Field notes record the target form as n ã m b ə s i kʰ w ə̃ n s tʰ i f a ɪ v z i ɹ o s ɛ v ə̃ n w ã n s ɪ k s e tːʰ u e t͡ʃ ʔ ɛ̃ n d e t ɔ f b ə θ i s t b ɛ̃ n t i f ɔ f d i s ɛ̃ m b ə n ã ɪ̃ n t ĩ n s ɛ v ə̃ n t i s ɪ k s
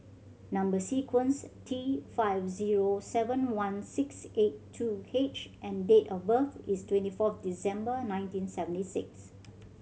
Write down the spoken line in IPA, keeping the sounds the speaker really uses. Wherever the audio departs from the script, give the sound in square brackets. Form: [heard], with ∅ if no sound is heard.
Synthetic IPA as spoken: n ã m b ə s i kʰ w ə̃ n s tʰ i f a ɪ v z i ɹ o s ɛ v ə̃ n w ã n s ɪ k s e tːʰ u e t͡ʃ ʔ ɛ̃ n d e t ɔ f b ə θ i s t [w] ɛ̃ n t i f ɔ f d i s ɛ̃ m b ə n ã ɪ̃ n t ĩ n s ɛ v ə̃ n t i s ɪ k s